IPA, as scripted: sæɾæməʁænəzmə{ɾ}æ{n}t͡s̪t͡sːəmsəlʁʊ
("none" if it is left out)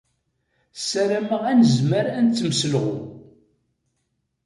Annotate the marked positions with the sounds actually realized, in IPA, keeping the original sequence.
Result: ɾ, n

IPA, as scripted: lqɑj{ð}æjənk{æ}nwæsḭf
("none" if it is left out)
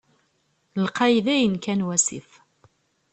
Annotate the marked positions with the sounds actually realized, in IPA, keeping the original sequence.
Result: ð, æ

